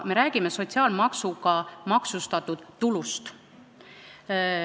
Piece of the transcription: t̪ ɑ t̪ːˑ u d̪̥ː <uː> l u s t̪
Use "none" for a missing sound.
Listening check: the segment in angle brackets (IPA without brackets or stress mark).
u